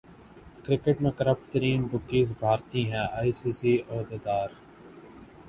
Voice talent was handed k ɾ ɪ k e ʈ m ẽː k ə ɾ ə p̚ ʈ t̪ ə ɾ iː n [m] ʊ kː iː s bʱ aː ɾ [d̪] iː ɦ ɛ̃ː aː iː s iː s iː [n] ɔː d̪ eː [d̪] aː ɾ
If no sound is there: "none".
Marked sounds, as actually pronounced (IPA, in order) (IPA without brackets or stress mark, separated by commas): b, t̪, none, d̪